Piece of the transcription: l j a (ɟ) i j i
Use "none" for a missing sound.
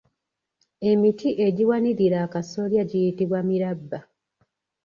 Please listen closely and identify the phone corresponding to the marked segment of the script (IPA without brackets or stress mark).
ɟ